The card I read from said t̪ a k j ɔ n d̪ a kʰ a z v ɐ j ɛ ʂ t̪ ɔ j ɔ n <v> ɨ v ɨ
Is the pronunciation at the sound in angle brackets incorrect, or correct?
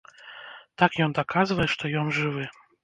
incorrect